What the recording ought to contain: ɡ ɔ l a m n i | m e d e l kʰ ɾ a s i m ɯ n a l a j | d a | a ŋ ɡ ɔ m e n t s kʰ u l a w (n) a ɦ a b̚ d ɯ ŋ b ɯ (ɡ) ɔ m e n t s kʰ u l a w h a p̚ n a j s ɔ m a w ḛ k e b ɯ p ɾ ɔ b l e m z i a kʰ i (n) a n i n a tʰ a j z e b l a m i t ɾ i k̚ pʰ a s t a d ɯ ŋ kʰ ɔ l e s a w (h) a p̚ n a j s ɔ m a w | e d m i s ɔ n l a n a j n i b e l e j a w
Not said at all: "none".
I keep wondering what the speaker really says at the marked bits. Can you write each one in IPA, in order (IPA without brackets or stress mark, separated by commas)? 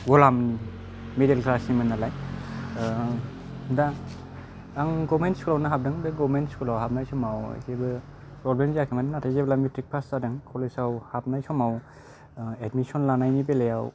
n, ɡ, m, h